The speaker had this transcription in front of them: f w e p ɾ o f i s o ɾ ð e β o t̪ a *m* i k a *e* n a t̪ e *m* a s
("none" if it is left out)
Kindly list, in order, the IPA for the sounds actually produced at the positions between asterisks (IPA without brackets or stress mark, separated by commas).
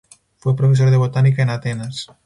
n, e, n